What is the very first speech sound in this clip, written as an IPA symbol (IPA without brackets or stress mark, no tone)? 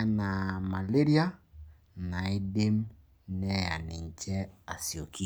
n